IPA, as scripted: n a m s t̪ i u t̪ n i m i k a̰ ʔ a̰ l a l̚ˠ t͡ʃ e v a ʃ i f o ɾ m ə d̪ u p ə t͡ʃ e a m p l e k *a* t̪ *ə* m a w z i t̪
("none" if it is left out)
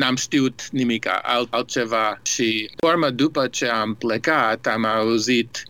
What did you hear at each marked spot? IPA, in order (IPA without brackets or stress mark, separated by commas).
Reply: a, a